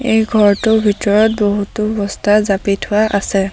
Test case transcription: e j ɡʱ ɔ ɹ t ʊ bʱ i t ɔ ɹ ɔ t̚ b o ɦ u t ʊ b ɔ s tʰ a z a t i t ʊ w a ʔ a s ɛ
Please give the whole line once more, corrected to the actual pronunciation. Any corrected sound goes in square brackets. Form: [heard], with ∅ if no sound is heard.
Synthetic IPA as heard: e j ɡʱ ɔ ɹ t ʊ bʱ i t ɔ ɹ ɔ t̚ b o ɦ u t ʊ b ɔ s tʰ a z a [p] i [tʰ] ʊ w a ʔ a s ɛ